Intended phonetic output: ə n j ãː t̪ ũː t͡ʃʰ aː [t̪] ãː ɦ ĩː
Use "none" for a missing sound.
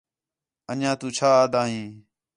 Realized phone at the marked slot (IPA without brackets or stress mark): d̪